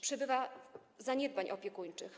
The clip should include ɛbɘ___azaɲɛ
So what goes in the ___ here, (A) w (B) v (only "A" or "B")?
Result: B